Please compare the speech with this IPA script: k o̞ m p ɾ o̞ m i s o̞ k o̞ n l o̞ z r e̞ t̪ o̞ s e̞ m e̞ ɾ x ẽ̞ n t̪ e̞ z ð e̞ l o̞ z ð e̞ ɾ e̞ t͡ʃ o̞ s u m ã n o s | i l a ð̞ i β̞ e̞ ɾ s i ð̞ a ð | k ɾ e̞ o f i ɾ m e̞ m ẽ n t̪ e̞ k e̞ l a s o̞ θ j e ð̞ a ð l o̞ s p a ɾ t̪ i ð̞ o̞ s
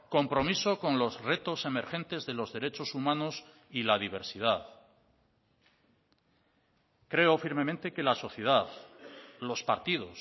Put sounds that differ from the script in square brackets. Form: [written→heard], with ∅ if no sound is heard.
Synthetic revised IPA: k o̞ m p ɾ o̞ m i s o̞ k o̞ n l o̞ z r e̞ t̪ o̞ s e̞ m e̞ ɾ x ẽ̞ n t̪ e̞ z ð e̞ l o̞ z ð e̞ ɾ e̞ t͡ʃ o̞ s u m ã n o s | i l a ð̞ i β̞ e̞ ɾ s i ð̞ a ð | k ɾ e̞ o f i ɾ m e̞ m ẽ n t̪ e̞ k e̞ l a s o̞ θ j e ð̞ a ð l o̞ s p a ɾ t̪ i ð̞ o̞ s